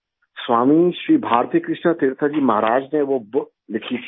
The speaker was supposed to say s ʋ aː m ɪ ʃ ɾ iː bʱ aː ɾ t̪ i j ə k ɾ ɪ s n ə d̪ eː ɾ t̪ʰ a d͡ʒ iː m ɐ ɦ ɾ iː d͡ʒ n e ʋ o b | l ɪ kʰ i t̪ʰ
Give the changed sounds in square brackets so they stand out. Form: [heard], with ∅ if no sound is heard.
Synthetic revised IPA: s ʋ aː m [i] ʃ ɾ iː bʱ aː ɾ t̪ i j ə k ɾ ɪ [ʃ] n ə [t̪] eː ɾ t̪ʰ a d͡ʒ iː m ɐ ɦ ɾ [aː] d͡ʒ n e ʋ o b | l ɪ kʰ i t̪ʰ